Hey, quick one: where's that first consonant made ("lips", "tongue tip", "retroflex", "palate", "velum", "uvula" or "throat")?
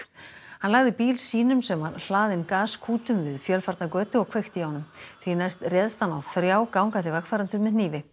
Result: throat